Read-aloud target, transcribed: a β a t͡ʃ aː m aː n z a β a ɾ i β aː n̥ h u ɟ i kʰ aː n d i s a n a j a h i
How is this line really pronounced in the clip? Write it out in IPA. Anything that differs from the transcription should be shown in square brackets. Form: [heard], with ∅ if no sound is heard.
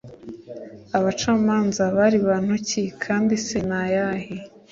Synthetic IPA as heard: a β a t͡ʃ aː m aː n z a β a ɾ i β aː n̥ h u [c] i kʰ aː n d i s [e] n a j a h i